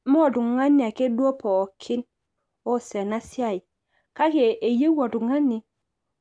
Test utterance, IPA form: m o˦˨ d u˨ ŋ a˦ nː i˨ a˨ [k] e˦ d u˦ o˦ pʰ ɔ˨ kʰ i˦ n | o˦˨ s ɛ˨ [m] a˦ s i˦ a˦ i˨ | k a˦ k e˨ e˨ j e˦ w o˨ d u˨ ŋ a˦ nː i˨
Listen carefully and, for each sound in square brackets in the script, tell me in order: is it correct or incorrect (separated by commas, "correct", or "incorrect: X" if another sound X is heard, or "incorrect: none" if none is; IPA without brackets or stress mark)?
correct, incorrect: n